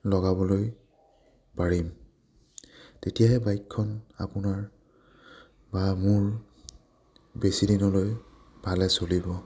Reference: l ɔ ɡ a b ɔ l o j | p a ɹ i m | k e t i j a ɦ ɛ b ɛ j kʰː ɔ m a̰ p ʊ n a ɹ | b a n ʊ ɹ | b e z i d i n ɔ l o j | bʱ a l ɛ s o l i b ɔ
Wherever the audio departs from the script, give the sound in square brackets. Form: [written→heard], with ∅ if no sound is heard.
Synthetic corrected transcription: l ɔ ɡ a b ɔ l o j | p a ɹ i m | [k→t] e t i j a ɦ ɛ b [ɛ→a] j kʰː ɔ [m→n] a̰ p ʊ n a ɹ | b a [n→m] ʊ ɹ | b e [z→s] i d i n ɔ l o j | bʱ a l ɛ s o l i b ɔ